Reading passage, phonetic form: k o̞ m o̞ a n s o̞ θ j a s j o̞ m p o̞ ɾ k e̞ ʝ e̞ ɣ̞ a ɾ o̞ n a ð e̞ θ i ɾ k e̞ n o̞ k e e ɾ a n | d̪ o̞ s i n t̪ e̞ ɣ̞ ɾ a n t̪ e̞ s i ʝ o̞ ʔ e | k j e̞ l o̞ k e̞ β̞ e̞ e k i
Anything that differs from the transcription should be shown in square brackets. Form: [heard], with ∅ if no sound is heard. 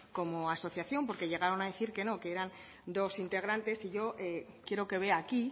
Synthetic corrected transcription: k o̞ m o̞ a [∅] s o̞ θ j a [θ] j o̞ m p o̞ ɾ k e̞ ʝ e̞ ɣ̞ a ɾ o̞ n a ð e̞ θ i ɾ k e̞ n o̞ k e e ɾ a n | d̪ o̞ s i n t̪ e̞ ɣ̞ ɾ a n t̪ e̞ s i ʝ o̞ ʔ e | k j e̞ [ɾ] o̞ k e̞ β̞ e̞ [a] k i